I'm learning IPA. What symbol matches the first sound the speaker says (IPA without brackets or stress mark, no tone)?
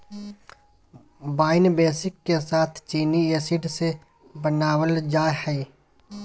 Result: b